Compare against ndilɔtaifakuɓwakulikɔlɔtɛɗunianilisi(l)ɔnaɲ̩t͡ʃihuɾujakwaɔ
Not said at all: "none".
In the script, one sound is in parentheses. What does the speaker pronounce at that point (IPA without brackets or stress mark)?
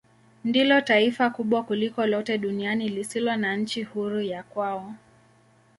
l